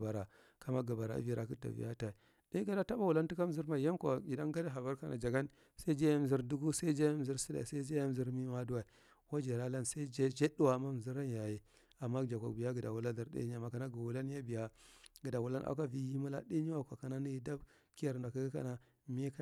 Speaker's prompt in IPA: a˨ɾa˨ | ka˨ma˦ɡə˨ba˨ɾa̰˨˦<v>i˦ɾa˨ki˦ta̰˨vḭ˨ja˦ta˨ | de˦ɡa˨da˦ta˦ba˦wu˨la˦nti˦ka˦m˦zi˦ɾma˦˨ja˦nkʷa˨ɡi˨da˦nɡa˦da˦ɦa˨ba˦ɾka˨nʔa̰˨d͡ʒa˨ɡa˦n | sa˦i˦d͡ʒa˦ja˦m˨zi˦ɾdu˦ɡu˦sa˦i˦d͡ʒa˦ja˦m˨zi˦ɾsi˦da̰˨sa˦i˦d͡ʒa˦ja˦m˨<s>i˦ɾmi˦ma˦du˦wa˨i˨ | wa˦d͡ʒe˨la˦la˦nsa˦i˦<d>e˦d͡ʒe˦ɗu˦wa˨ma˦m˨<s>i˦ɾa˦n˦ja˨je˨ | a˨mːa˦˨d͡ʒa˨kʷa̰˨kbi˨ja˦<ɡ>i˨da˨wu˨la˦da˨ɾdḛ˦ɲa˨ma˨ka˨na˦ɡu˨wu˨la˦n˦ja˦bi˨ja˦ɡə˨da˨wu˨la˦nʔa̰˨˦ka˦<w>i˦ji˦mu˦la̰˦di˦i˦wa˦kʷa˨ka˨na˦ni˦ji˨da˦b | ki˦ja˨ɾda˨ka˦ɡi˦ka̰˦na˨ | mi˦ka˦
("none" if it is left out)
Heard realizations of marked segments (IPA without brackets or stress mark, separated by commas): v, z, d͡ʒ, z, ɡ, v